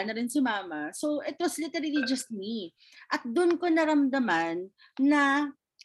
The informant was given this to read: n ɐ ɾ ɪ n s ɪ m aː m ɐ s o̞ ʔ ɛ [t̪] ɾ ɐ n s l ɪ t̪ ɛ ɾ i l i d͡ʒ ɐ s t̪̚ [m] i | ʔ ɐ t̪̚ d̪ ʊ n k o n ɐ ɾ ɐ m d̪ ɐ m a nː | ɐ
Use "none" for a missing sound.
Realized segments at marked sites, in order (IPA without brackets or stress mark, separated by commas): t̪, m